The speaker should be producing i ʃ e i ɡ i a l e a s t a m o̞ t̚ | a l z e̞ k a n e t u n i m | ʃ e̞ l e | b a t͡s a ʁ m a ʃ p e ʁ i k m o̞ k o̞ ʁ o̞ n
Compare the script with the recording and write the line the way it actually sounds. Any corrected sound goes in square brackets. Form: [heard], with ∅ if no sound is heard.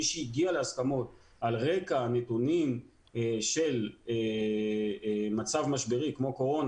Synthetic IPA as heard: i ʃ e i ɡ i a l e a s [k] a m o̞ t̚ | a l [ʁ] e̞ k a n e t u n i m | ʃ e̞ l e | [m] a t͡s a [v] m a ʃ [b] e ʁ i k m o̞ k o̞ ʁ o̞ n